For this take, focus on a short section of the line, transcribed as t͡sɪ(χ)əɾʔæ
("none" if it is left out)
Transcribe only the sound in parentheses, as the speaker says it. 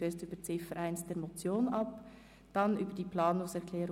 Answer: f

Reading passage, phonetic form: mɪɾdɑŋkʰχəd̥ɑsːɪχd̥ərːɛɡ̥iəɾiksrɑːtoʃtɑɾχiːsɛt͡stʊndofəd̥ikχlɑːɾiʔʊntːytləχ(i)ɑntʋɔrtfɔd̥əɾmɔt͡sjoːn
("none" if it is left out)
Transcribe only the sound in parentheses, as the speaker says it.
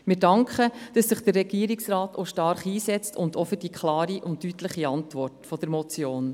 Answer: i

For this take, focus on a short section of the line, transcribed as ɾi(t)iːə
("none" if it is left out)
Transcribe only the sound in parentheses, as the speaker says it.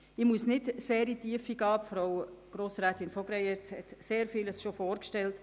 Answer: t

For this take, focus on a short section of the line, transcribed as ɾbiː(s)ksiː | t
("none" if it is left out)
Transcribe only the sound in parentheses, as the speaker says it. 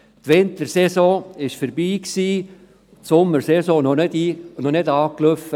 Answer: none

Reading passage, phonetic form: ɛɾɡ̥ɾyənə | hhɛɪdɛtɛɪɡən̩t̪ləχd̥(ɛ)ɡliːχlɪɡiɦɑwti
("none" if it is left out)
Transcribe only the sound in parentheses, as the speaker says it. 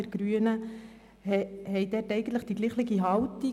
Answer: i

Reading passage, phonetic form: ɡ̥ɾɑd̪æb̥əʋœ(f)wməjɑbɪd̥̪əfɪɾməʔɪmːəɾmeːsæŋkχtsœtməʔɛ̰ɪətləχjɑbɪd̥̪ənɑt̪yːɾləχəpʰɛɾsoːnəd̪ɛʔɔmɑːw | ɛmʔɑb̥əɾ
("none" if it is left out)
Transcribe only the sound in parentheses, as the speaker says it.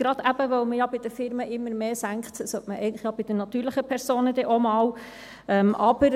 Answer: none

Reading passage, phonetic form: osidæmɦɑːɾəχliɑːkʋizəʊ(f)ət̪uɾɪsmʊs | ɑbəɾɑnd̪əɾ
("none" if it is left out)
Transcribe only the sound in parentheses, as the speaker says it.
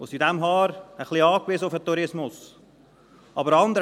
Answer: f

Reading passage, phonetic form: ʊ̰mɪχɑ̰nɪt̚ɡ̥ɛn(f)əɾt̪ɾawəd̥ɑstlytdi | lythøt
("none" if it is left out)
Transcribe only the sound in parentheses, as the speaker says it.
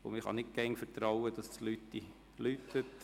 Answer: f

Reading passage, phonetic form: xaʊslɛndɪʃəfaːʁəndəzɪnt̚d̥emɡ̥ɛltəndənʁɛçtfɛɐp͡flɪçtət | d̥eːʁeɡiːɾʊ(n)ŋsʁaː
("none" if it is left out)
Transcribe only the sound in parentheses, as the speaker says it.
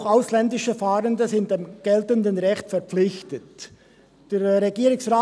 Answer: none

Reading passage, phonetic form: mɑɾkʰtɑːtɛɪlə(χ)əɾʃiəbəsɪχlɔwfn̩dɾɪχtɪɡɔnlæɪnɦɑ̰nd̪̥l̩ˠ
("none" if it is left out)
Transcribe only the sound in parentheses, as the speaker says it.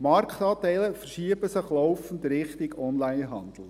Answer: f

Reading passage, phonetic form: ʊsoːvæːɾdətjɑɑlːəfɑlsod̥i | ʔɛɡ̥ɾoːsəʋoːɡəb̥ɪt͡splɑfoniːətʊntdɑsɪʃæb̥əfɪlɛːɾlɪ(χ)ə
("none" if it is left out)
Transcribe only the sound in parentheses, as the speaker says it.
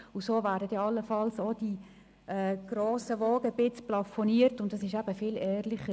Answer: χ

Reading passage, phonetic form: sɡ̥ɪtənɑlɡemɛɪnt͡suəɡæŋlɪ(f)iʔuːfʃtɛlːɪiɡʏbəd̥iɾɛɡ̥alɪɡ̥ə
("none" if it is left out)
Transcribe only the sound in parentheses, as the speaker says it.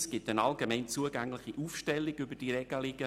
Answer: χ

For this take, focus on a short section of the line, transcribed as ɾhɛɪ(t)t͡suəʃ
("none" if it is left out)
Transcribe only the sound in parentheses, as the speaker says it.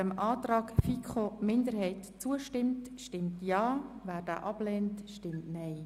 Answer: t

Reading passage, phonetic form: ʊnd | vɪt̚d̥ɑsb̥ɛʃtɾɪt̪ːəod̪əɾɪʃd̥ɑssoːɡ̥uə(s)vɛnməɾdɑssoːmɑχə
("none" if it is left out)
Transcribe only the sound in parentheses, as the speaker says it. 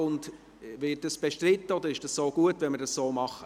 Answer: t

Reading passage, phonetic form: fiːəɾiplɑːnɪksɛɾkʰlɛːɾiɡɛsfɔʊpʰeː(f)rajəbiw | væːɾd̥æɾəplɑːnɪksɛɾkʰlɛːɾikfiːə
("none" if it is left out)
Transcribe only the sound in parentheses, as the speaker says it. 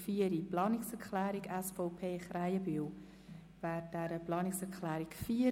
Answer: χ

